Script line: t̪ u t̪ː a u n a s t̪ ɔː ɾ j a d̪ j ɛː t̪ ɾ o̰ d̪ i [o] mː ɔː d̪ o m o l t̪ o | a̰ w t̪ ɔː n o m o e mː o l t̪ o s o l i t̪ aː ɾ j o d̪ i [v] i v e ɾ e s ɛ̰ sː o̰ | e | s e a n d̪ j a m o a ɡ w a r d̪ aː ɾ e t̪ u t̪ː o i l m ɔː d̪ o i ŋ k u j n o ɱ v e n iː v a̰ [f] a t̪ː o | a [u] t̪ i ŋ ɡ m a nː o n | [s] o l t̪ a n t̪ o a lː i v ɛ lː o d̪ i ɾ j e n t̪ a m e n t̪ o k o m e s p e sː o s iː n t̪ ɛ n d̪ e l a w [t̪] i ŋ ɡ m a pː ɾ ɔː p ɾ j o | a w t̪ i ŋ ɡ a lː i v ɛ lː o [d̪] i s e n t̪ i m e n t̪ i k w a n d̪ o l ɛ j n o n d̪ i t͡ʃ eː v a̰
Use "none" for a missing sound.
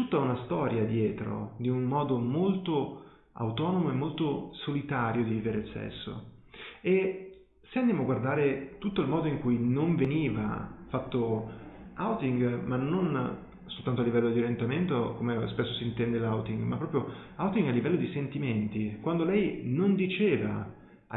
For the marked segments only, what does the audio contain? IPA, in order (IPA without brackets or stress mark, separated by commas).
u, v, f, w, s, t̪, d̪